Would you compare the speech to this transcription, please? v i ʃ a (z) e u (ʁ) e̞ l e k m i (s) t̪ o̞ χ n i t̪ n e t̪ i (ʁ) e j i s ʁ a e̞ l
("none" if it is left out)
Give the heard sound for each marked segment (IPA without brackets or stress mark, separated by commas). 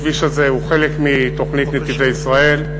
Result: z, χ, none, v